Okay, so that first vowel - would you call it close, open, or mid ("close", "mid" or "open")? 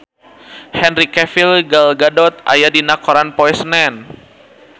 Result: mid